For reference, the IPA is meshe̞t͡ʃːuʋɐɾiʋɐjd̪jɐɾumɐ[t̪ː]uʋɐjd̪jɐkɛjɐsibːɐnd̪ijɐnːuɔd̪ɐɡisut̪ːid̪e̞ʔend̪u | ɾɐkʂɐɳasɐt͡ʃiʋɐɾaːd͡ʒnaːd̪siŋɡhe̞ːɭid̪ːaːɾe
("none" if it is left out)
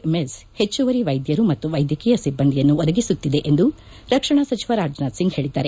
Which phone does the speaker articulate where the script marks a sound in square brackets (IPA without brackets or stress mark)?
t̪ː